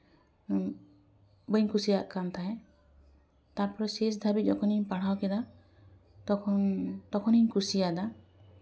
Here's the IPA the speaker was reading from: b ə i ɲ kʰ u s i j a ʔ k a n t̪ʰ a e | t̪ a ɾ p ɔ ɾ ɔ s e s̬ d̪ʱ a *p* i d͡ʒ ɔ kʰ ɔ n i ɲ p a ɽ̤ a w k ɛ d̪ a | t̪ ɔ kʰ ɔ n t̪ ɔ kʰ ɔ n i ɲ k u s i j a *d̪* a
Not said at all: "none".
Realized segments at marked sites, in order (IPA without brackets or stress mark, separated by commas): b, d̪